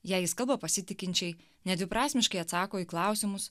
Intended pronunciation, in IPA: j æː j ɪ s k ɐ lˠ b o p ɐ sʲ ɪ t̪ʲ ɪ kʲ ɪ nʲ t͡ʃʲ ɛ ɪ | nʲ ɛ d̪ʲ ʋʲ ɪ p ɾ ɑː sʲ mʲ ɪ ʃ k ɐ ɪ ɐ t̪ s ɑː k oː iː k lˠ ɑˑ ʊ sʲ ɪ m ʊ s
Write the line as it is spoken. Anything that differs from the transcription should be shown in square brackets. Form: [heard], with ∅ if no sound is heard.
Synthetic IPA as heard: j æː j ɪ s k ɐ lˠ b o p ɐ sʲ ɪ t̪ʲ ɪ kʲ ɪ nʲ t͡ʃʲ ɛ ɪ | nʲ ɛ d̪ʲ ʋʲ ɪ p ɾ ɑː sʲ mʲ ɪ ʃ k ɐ ɪ ɐ t̪ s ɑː k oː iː k lˠ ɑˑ ʊ sʲ ɪ m ʊ s